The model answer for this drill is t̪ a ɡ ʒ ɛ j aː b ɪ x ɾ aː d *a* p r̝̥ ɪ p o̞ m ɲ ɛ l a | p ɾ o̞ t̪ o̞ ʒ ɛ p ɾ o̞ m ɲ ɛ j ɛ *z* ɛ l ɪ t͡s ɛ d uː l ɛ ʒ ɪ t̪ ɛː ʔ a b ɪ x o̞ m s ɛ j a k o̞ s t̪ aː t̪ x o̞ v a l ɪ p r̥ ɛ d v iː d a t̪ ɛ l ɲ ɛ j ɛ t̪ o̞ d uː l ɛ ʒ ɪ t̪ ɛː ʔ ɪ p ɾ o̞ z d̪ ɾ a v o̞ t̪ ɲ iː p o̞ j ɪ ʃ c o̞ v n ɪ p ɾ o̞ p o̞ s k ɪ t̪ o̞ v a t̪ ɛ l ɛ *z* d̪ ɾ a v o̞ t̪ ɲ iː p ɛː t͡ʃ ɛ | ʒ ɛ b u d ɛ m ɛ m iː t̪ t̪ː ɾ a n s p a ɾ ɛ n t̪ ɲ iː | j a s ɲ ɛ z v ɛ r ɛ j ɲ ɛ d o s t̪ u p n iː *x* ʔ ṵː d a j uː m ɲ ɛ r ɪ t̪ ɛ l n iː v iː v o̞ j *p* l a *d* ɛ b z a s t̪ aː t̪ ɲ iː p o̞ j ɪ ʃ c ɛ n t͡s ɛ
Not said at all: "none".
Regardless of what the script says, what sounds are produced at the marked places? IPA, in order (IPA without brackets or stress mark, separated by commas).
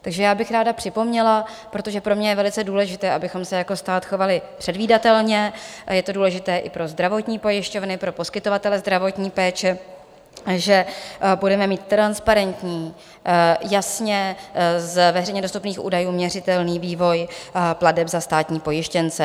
a, v, z, x, p, d